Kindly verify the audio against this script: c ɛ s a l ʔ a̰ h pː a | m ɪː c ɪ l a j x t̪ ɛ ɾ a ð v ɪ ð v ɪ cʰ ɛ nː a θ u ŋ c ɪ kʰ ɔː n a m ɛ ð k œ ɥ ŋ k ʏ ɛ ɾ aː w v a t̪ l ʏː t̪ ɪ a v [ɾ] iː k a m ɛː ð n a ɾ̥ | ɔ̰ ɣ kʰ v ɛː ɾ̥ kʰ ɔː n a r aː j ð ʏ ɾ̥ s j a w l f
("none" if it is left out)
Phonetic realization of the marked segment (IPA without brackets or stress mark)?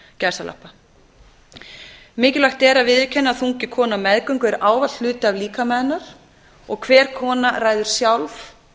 l